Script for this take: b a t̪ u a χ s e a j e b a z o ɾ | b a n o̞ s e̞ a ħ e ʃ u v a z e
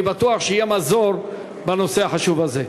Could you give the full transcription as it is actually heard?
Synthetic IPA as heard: b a t̪ u a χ ʃ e i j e m a z o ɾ | b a n o̞ s e̞ a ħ a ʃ u v a z e